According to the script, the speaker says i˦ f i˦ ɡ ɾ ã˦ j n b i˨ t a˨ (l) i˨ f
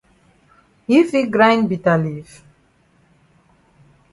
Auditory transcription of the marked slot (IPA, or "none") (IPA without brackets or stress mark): l